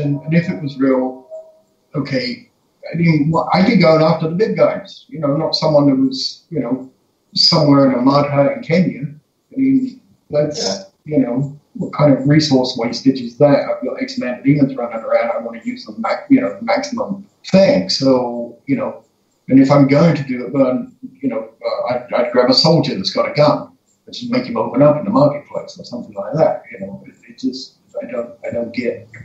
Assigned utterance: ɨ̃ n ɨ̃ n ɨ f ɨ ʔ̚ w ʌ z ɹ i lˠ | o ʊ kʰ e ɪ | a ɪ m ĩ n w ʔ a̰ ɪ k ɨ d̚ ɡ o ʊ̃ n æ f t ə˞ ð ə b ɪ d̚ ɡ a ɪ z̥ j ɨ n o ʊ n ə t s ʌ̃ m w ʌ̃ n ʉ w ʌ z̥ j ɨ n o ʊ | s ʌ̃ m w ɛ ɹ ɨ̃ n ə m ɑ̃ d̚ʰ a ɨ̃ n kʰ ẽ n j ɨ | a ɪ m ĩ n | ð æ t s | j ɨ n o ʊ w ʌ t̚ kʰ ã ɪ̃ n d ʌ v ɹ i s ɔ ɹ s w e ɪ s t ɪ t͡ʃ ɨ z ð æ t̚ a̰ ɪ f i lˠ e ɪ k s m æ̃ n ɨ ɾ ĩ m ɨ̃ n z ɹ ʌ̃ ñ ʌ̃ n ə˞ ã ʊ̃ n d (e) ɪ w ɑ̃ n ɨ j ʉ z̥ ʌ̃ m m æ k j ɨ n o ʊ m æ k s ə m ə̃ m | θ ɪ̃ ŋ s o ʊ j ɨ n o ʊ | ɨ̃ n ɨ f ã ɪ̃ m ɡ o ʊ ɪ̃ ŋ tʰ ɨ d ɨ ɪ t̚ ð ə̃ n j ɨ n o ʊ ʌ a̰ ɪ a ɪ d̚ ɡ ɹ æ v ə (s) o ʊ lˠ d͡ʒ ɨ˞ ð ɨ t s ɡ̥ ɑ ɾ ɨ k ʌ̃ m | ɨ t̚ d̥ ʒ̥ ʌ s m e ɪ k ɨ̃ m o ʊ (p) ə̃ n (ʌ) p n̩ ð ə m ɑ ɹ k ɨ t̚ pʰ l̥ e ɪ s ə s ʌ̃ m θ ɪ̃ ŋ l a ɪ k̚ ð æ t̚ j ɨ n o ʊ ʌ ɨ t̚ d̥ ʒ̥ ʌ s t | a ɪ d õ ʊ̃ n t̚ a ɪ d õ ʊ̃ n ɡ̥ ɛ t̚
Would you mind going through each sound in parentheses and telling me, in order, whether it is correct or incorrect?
incorrect: a, correct, correct, correct

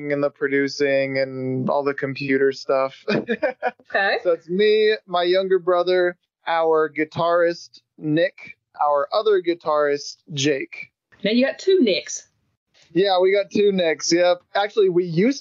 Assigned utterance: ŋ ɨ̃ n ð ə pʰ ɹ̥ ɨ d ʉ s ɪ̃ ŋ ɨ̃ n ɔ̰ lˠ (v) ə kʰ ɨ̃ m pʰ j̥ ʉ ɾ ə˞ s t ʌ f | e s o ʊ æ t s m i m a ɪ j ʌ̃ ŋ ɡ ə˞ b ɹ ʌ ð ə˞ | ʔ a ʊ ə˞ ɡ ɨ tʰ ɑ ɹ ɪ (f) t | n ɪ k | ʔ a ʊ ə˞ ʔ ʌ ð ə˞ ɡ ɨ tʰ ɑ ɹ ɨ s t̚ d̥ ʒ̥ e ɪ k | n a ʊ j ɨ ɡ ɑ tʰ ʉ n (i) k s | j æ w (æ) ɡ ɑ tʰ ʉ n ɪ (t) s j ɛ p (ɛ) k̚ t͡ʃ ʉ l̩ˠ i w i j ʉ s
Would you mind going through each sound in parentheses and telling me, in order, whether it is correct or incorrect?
incorrect: ð, incorrect: s, incorrect: ɪ, incorrect: i, incorrect: k, incorrect: æ

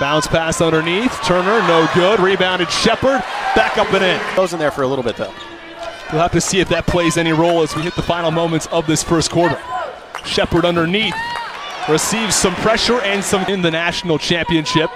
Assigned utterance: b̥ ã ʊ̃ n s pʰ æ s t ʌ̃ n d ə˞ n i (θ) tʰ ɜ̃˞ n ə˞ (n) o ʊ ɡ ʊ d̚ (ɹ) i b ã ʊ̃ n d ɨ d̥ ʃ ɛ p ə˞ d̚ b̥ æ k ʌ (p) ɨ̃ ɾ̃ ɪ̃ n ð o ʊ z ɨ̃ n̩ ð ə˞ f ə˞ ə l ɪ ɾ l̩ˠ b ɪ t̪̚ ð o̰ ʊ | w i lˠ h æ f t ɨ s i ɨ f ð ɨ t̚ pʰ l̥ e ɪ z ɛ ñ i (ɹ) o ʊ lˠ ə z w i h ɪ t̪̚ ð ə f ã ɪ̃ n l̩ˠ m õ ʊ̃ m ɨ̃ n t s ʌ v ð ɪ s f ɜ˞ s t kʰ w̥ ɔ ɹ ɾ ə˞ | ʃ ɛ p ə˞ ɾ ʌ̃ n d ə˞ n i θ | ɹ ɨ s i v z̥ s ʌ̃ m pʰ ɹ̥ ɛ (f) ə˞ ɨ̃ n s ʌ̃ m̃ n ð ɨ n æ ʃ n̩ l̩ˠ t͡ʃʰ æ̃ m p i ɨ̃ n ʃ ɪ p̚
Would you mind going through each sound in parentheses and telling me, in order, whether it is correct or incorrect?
correct, correct, correct, correct, correct, incorrect: ʃ

